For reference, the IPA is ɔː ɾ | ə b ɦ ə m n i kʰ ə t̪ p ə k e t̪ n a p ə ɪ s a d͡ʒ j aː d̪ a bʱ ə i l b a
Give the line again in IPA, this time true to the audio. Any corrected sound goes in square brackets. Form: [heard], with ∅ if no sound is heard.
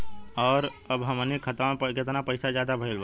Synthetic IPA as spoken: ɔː ɾ | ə b ɦ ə m n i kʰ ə t̪ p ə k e t̪ n a p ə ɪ s a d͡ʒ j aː d̪ a bʱ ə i l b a